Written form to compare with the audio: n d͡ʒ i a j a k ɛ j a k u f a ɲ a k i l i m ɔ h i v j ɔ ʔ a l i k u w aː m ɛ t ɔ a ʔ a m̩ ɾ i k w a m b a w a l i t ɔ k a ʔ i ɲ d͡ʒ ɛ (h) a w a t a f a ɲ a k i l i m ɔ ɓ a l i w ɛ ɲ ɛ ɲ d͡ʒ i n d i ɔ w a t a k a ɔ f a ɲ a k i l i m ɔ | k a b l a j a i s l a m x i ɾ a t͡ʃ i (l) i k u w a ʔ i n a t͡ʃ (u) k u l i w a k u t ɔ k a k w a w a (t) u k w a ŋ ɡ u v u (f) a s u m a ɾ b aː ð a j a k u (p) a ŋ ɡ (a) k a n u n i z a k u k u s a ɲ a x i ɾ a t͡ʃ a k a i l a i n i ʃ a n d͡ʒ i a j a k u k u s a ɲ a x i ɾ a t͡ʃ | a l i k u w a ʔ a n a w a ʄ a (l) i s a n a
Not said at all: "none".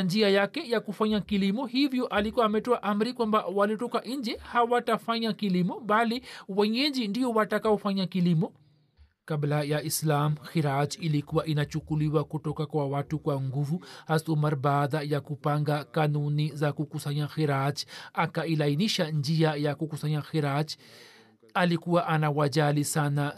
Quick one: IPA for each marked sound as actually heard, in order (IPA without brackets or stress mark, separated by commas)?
h, l, u, t, h, p, a, l